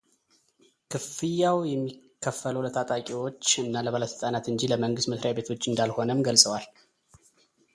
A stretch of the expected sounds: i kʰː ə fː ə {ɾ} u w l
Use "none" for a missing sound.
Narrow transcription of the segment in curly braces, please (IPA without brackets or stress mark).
l